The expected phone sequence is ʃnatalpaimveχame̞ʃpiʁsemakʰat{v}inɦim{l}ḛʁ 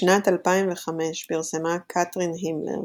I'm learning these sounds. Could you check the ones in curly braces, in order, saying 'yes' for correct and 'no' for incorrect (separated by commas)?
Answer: no, yes